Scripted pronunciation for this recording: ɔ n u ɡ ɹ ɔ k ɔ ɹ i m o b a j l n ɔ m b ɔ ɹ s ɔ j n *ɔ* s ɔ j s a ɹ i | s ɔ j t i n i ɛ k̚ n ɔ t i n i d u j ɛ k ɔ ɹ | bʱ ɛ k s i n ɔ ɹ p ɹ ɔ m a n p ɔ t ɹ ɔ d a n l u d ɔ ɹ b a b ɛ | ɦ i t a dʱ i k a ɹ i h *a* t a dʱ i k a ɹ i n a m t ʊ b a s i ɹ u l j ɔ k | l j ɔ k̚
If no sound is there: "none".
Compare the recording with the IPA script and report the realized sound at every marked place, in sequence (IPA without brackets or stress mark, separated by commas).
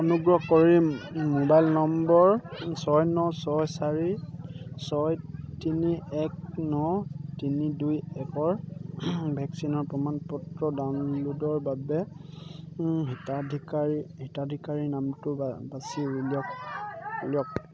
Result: ɔ, i